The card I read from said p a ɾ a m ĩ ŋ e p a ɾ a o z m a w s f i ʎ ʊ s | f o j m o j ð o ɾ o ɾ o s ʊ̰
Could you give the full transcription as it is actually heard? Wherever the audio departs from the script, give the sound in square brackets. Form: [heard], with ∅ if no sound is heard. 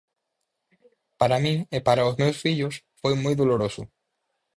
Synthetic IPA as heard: p a ɾ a m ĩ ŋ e p a ɾ a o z m [e] w s f i ʎ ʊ s | f o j m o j ð o [l] o ɾ o s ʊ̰